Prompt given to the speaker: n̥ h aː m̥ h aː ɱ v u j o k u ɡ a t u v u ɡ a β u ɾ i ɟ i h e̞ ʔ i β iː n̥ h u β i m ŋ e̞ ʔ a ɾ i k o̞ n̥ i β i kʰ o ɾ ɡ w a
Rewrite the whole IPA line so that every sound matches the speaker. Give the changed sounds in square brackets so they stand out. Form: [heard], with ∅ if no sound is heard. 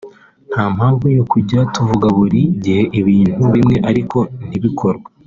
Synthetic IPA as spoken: n̥ h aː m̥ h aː ɱ v u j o k u [ɟ] a t u v u ɡ a β u ɾ i ɟ i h e̞ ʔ i β iː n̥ h u β i m ŋ e̞ ʔ a ɾ i k o̞ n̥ i β i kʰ o ɾ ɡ w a